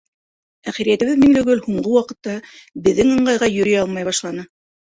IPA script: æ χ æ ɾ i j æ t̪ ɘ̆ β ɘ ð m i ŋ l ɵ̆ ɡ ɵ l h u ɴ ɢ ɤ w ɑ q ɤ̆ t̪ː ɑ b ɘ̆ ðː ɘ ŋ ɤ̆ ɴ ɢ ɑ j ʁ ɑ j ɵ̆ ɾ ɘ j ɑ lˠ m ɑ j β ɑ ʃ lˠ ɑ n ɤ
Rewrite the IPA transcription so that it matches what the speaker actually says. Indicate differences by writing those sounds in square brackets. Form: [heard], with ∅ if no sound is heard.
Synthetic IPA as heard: æ χ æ ɾ i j æ t̪ ɘ̆ β ɘ ð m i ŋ l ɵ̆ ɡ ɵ l h u ɴ ɢ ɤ w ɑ q ɤ̆ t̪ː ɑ b ɘ̆ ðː ɘ ŋ ɤ̆ ɴ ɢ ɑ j ʁ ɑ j ɵ̆ ɾ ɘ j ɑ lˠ m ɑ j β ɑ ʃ lˠ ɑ n ɤ